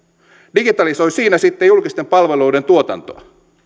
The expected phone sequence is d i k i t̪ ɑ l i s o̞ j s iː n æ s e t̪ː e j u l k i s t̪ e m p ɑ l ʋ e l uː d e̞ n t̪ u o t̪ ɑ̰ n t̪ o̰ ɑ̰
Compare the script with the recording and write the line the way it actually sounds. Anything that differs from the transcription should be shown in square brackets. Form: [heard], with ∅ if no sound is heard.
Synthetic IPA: d i [ɡ] i t̪ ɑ l i s o̞ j s iː n æ s [i] t̪ː e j u l k i s t̪ e m p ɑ l ʋ e l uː d e̞ n t̪ u o t̪ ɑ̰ n t̪ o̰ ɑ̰